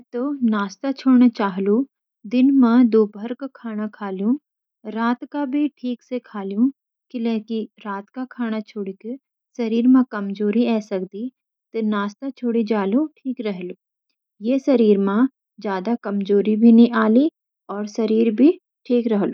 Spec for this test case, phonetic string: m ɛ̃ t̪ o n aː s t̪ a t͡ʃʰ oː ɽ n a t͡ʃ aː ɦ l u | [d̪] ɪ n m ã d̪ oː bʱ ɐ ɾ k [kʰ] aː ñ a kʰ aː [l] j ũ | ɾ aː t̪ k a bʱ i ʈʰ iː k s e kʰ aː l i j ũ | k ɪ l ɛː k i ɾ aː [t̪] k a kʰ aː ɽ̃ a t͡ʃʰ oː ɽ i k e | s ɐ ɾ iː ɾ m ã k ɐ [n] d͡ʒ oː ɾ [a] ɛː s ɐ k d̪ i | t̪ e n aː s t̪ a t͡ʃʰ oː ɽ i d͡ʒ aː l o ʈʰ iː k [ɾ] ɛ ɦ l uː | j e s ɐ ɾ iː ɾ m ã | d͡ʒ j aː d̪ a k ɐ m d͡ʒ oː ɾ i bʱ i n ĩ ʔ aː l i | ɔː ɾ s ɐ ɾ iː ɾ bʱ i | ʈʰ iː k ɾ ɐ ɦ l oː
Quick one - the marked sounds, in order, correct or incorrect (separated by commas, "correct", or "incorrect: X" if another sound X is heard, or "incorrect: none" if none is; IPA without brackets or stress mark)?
correct, correct, correct, correct, incorrect: m, incorrect: i, correct